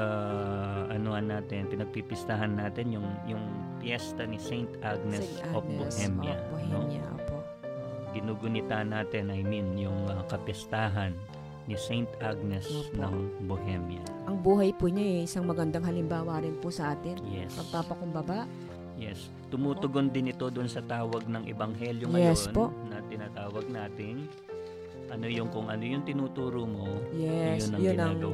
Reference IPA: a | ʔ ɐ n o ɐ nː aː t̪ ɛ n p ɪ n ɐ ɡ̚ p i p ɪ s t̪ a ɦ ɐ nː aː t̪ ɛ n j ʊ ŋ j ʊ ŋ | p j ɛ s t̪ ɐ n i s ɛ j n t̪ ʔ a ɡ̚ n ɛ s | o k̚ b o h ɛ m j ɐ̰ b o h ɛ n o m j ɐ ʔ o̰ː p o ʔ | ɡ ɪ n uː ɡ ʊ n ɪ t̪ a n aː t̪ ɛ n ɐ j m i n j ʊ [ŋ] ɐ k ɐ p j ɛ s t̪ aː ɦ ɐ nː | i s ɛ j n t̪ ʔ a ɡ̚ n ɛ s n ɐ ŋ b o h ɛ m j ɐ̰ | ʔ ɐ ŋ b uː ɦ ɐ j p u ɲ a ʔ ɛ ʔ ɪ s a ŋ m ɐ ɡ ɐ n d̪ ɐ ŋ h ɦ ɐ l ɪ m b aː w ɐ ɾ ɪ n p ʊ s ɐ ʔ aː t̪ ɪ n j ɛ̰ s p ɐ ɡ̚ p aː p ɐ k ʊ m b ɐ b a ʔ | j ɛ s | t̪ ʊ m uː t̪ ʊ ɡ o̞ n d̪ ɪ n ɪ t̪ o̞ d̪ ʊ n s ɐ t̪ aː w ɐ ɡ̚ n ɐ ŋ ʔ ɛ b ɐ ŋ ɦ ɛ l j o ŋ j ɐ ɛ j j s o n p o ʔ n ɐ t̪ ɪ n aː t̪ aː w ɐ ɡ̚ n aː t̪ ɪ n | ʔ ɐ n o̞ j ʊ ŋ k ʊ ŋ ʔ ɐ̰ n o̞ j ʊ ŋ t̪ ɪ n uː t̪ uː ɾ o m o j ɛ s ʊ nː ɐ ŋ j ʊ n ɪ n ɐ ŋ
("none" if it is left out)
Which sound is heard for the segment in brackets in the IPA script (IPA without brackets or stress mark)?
ŋ